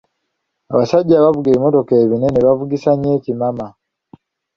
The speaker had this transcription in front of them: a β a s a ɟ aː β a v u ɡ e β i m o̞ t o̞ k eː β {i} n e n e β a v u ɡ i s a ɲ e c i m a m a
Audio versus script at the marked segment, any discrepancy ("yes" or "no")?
no